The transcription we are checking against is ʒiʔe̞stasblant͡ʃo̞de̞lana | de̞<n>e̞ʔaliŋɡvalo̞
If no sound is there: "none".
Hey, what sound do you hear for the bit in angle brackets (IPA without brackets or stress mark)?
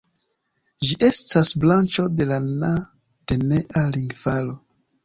n